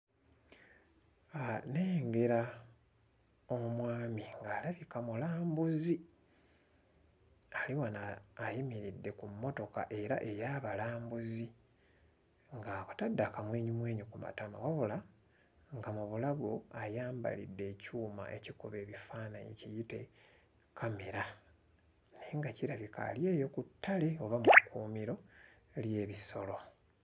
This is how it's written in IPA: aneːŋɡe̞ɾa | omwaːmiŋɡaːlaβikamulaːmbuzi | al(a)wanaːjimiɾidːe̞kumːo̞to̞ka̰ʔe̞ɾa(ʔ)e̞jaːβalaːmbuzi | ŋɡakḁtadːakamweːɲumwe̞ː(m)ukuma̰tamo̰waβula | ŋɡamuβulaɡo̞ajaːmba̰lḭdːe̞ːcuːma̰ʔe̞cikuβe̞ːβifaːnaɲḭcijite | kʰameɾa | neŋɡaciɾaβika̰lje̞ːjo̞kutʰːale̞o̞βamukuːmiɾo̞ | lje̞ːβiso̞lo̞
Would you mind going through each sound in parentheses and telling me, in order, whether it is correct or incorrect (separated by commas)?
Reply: incorrect, correct, incorrect